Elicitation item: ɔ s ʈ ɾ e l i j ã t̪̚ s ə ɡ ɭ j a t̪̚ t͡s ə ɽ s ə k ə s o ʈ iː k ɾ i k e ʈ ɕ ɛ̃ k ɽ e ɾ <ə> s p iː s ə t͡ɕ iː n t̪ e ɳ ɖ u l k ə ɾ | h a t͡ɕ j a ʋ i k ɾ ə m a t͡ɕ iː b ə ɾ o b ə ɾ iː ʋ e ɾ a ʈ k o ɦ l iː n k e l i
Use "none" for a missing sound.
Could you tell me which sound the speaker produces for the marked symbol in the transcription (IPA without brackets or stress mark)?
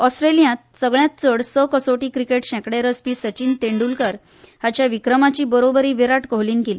ə